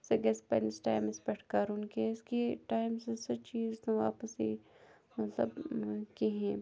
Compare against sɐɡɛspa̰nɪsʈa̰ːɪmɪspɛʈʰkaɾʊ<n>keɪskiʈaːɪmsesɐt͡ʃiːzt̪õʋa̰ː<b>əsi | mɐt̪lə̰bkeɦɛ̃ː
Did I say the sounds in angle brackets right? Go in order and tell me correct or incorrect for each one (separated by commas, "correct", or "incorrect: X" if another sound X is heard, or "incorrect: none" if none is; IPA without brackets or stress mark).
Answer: correct, incorrect: p